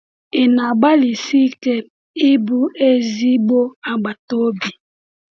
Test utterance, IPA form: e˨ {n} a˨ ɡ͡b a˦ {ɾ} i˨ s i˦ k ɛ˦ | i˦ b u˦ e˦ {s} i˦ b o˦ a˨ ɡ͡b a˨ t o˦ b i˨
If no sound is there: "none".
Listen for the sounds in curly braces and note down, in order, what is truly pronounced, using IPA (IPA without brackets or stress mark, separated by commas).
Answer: n, l, z